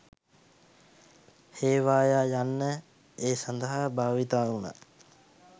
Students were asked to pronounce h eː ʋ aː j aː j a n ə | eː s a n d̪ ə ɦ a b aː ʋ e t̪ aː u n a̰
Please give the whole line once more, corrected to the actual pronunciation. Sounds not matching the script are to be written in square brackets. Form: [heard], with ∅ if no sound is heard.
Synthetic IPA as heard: h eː ʋ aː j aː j a [nː] ə | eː s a n d̪ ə ɦ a b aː ʋ [i] t̪ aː u n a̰